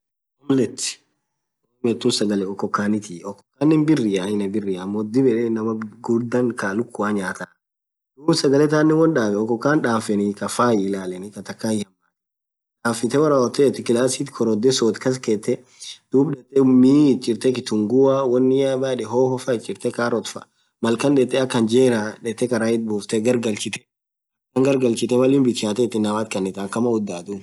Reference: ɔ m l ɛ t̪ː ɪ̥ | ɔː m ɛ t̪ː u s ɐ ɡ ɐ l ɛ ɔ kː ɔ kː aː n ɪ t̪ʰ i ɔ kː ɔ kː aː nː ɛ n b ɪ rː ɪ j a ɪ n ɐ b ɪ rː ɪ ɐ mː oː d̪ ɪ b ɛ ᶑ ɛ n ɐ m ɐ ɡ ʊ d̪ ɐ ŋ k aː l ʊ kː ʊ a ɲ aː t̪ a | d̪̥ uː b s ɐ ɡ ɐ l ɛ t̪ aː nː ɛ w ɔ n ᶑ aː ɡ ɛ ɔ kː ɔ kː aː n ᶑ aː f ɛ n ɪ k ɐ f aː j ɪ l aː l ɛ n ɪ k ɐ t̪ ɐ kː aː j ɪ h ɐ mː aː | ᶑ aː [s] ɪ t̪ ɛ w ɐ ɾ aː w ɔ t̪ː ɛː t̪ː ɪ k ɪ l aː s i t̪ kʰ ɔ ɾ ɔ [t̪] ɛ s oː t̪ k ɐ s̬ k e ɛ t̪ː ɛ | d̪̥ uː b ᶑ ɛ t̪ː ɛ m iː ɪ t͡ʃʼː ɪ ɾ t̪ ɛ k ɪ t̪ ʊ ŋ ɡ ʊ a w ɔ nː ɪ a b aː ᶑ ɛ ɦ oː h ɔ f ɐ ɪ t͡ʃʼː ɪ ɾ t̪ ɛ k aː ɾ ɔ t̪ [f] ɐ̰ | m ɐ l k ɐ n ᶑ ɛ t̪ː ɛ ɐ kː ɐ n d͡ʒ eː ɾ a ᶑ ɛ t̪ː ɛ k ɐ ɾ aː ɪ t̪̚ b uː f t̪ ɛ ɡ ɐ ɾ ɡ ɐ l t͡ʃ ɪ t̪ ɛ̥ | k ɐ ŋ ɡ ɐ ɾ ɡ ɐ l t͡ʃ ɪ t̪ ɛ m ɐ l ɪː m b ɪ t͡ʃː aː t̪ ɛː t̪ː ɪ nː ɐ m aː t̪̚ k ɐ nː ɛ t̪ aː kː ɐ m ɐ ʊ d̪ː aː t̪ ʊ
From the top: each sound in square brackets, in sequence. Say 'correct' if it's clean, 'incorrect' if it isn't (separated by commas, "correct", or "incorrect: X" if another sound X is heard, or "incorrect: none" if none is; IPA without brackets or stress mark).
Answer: incorrect: f, incorrect: d̪, correct